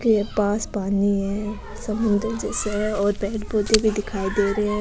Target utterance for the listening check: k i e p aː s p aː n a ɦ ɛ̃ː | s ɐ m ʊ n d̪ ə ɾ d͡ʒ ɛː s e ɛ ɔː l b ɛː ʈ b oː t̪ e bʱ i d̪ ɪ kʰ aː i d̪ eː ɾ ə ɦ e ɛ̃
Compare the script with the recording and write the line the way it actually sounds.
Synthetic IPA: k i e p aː s p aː n i ɦ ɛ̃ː | s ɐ m ʊ n d̪ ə ɾ d͡ʒ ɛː s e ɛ ɔː ɾ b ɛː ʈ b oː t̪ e bʱ i d̪ ɪ kʰ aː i d̪ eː ɾ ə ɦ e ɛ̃